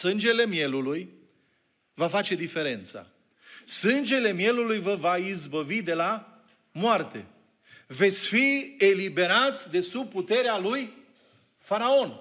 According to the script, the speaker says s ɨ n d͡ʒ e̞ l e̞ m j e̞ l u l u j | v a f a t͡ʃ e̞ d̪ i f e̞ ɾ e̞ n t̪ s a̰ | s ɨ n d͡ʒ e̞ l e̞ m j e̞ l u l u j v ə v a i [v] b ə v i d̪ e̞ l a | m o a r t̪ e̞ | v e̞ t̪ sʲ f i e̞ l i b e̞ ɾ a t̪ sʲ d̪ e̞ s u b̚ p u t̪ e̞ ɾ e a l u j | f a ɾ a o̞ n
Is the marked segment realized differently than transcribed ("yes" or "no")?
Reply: yes